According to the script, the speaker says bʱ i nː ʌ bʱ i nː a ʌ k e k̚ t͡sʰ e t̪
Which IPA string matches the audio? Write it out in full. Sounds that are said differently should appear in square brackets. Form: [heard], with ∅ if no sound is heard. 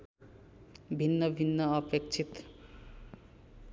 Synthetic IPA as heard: bʱ i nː ʌ bʱ i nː [ʌ] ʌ [p] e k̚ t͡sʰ [i] t̪